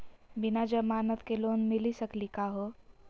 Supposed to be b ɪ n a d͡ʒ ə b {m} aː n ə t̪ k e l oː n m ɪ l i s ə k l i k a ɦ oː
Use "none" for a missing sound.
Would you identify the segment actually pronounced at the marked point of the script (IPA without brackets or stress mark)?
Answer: m